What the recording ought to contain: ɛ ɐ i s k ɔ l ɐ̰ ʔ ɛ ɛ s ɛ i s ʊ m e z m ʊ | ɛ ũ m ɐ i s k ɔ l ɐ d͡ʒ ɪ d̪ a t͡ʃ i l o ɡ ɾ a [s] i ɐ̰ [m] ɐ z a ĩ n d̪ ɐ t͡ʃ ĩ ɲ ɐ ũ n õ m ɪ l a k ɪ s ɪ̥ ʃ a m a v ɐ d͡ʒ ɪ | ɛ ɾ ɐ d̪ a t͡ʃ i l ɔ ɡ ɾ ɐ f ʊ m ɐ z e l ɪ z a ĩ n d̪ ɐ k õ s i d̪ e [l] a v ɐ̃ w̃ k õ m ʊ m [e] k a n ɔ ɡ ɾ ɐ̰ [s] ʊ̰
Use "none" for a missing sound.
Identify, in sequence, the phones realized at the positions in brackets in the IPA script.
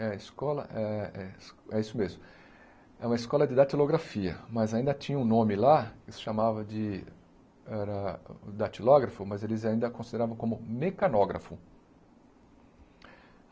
f, m, ɾ, e, f

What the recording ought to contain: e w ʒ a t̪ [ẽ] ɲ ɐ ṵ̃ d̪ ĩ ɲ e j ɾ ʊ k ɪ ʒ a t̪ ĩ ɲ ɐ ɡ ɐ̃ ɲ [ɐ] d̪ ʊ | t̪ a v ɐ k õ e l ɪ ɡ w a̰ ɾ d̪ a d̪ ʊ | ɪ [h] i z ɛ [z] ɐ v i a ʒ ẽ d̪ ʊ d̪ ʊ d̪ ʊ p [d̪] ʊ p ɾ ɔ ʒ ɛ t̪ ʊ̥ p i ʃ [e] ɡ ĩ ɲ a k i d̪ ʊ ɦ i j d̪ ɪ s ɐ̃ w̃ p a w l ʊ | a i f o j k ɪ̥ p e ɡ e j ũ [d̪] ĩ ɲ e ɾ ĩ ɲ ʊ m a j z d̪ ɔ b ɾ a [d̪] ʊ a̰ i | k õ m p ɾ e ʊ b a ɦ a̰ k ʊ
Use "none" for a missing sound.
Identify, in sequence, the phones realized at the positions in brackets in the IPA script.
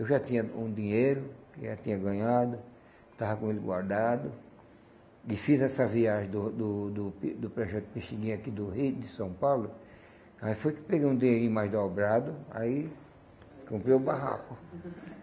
ĩ, a, f, s, d̪, i, d̪, d̪

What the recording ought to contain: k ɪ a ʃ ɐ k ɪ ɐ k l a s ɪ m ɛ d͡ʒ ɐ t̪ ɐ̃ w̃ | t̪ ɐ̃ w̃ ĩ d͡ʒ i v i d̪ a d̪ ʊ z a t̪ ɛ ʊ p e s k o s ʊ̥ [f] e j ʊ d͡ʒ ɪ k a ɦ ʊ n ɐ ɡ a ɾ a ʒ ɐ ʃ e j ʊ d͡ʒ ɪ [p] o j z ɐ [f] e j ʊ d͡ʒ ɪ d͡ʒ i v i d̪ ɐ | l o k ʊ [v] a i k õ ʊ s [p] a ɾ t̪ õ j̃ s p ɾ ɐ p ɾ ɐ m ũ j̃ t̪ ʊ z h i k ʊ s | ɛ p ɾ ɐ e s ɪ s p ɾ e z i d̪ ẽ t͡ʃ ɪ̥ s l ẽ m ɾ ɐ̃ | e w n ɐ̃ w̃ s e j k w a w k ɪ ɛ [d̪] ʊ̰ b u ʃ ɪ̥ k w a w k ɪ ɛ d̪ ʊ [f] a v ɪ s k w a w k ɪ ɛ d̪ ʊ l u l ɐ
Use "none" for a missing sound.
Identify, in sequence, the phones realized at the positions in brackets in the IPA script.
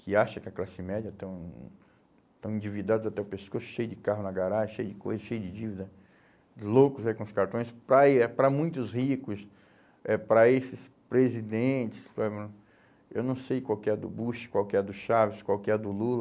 ʃ, k, ʃ, z, k, d̪, ʃ

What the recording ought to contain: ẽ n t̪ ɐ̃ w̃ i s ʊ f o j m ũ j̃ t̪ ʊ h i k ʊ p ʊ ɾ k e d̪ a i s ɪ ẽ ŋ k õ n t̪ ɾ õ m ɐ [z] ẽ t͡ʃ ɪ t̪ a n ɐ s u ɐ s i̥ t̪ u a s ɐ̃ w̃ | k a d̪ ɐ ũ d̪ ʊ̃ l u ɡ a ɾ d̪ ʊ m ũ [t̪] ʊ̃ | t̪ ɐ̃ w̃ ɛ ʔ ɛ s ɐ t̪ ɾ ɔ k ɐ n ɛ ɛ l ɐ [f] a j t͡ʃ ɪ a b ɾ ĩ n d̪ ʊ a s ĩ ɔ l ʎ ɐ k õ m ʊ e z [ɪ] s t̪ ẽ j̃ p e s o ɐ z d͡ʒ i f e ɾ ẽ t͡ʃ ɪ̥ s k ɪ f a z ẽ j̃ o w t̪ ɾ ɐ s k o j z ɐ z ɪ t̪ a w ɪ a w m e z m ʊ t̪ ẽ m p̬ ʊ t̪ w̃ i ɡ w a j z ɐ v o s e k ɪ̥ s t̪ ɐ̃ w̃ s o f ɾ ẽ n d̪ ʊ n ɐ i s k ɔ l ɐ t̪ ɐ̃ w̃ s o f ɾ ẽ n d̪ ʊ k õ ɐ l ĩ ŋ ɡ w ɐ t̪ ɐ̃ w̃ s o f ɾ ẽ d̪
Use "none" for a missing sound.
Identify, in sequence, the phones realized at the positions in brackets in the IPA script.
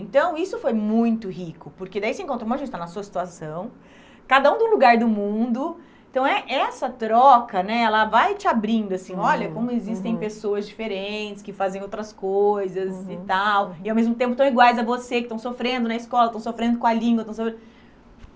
ʒ, d̪, v, i

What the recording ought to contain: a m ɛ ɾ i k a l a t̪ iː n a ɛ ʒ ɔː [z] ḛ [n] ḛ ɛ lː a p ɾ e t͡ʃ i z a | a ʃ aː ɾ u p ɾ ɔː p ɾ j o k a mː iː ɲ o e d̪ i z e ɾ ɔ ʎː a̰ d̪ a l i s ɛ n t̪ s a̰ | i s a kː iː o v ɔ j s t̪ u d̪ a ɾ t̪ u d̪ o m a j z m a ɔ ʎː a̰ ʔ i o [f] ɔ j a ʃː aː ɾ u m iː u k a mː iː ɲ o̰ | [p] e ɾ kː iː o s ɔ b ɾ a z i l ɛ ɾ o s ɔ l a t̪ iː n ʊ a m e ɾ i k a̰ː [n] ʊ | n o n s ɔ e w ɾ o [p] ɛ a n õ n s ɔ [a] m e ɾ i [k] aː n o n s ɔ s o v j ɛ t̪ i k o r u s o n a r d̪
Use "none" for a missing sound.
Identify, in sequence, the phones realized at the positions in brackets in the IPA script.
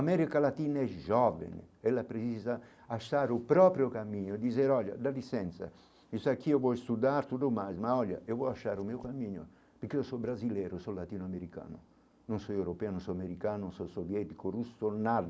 v, n, v, p, n, p, a, k

